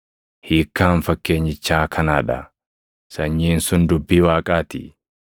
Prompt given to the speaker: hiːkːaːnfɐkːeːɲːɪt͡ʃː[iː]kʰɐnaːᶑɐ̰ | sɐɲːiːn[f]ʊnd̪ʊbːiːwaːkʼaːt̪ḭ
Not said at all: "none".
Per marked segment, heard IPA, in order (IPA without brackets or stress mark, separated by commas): aː, s